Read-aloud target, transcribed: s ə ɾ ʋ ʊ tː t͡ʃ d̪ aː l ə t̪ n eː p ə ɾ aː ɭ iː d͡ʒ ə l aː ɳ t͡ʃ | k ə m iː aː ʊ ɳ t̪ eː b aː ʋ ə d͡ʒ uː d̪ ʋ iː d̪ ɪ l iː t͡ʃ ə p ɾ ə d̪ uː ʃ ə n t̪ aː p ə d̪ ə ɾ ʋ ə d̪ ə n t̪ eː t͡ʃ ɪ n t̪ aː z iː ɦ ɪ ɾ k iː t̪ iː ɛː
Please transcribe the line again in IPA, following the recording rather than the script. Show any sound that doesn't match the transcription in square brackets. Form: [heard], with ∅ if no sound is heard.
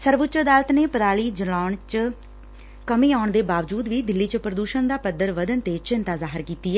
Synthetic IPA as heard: s ə ɾ ʋ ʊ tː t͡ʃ d̪ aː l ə t̪ n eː p ə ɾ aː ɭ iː d͡ʒ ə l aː ɳ t͡ʃ | k ə m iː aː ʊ ɳ [d̪] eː b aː ʋ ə d͡ʒ uː d̪ ʋ iː d̪ ɪ [lː] iː t͡ʃ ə p ɾ ə d̪ uː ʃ ə n [d̪] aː p ə d̪ ə ɾ ʋ ə d̪ ə n t̪ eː t͡ʃ ɪ n t̪ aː z [aː] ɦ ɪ ɾ k iː t̪ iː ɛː